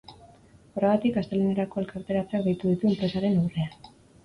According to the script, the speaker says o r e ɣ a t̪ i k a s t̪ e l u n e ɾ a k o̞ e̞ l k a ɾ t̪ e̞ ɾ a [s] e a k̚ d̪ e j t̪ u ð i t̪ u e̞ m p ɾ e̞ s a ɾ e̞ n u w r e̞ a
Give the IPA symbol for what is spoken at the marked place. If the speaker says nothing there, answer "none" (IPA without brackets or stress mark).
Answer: t͡s